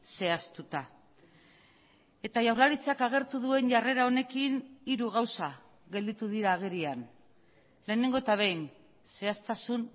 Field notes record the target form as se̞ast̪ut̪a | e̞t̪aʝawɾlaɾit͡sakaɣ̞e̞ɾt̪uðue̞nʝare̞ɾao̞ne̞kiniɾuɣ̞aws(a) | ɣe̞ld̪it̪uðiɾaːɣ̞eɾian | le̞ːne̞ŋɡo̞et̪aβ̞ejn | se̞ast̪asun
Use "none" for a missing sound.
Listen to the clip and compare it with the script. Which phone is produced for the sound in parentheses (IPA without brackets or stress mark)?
a